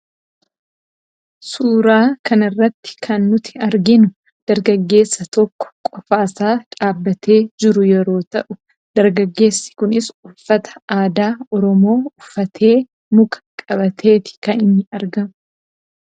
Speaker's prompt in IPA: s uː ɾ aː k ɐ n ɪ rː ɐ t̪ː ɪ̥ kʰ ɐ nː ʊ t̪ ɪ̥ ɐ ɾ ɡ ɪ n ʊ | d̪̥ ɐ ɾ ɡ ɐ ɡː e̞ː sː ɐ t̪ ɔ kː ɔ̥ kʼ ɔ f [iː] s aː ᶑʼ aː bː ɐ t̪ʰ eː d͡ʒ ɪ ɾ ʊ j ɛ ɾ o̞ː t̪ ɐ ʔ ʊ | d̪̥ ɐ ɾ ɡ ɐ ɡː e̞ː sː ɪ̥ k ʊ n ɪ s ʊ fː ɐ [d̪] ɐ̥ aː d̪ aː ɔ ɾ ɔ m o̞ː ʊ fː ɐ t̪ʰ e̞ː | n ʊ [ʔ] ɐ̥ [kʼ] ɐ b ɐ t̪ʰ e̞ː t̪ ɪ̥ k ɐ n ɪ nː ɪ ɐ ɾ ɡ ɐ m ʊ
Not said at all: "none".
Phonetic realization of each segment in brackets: aː, t̪, k, kʼ

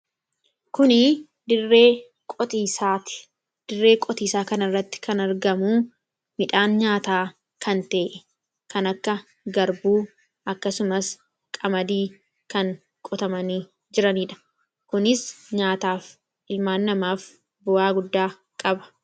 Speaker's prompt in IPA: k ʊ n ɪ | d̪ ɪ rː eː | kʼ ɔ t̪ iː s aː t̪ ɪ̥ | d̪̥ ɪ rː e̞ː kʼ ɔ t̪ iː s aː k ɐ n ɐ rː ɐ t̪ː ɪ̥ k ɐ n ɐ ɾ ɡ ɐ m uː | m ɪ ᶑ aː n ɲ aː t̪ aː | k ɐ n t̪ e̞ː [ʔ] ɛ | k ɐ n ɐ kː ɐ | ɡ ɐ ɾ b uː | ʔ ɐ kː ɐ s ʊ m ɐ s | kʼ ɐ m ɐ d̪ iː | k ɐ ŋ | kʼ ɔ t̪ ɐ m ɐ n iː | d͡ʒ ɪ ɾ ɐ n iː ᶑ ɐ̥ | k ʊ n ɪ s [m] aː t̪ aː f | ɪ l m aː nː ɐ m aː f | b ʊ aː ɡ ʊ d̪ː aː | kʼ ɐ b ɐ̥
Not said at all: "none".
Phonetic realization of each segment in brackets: ʔ, ɲ

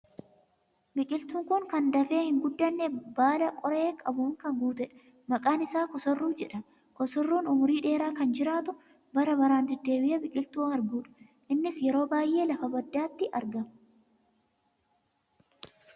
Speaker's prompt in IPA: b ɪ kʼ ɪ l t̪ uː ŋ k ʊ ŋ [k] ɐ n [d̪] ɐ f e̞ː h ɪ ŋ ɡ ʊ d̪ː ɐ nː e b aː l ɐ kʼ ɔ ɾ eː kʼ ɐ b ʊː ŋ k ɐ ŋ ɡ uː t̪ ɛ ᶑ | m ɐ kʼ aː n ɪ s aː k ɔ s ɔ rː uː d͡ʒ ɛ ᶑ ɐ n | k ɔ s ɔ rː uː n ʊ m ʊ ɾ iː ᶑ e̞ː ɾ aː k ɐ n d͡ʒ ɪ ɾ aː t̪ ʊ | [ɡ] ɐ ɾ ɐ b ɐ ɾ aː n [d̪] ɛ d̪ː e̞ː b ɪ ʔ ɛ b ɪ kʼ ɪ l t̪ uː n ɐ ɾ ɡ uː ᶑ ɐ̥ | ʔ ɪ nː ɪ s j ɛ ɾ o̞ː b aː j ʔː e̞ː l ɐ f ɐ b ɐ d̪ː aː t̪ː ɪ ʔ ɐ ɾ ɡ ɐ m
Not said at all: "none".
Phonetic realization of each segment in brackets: k, d̪, b, d̪

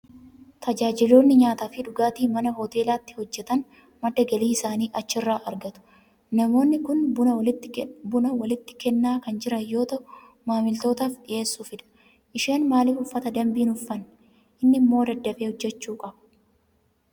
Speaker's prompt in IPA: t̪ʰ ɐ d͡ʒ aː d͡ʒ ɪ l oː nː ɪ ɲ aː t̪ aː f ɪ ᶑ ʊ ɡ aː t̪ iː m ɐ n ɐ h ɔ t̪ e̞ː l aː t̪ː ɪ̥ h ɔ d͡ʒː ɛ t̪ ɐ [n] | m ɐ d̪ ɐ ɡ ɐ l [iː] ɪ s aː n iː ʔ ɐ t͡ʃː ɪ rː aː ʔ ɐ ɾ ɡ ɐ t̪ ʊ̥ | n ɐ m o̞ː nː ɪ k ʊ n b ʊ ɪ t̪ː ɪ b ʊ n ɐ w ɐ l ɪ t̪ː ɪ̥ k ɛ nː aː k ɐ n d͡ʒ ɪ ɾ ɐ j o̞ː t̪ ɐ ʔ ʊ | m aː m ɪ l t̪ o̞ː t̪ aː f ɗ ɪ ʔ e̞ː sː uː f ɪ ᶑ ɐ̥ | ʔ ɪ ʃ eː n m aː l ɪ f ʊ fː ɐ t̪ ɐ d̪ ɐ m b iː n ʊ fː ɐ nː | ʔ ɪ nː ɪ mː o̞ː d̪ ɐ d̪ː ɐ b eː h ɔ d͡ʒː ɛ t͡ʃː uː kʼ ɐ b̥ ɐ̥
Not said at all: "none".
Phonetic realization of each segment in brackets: n, iː

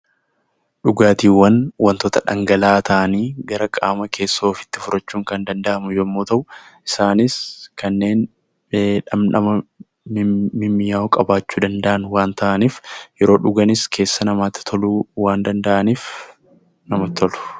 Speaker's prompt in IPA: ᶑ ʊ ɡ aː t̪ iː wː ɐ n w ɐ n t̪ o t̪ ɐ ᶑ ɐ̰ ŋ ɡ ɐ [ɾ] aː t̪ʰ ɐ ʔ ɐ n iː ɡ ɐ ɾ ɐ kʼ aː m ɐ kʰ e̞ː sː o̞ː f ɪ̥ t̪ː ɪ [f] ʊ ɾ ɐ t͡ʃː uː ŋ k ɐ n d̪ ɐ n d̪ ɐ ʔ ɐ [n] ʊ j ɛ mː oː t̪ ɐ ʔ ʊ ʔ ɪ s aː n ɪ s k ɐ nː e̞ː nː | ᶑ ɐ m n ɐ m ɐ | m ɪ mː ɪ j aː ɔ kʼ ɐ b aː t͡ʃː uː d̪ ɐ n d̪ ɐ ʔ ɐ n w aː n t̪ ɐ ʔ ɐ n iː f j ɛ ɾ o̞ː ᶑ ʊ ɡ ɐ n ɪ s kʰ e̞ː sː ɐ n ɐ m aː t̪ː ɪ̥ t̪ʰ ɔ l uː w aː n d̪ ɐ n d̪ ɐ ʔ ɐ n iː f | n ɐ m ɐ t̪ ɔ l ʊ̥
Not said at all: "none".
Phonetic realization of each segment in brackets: l, f, m

